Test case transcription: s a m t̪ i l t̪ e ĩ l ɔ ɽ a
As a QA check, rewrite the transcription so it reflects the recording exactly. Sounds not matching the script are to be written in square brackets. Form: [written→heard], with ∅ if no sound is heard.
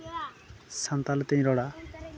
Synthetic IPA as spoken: s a [m→n] t̪ [i→a] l t̪ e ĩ [l→ɾ] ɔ ɽ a